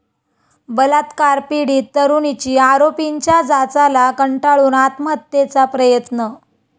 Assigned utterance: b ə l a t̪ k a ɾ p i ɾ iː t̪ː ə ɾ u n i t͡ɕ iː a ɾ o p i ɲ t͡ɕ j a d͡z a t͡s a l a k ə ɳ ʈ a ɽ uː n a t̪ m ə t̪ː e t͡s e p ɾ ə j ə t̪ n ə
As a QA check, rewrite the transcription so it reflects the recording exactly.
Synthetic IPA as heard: b ə l a t̪ k a ɾ p i ɽ iː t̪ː ə ɾ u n i t͡ɕ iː a ɾ o p i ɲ t͡ɕ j a d͡z a t͡s a l a k ə ɳ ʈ a ɭ uː n a t̪ m ə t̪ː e t͡s a p ɾ ə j ə t̪ n ə